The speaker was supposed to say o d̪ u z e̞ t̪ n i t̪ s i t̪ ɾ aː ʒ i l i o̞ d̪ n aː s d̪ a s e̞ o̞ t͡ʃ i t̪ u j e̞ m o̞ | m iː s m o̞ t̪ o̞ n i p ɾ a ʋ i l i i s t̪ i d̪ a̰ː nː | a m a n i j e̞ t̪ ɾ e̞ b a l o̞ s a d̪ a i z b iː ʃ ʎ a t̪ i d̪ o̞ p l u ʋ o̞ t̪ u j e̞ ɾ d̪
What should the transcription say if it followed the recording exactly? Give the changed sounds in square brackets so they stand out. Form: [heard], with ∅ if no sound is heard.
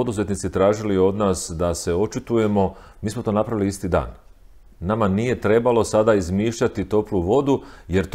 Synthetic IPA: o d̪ u z e̞ t̪ n i t̪ s i t̪ ɾ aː ʒ i l i o̞ d̪ n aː s d̪ a s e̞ o̞ t͡ʃ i t̪ u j e̞ m o̞ | m iː s m o̞ t̪ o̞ n [a] p ɾ a ʋ i l i i s t̪ i d̪ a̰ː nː | a m a n i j e̞ t̪ ɾ e̞ b a l o̞ s a d̪ a i z [m] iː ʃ ʎ a t̪ i [t̪] o̞ p l u ʋ o̞ [d̪] u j e̞ ɾ [t̪]